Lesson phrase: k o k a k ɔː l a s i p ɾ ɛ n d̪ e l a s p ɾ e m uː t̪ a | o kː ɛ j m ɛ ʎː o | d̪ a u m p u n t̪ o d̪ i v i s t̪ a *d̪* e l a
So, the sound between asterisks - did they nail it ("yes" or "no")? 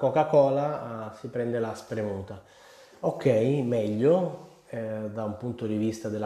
yes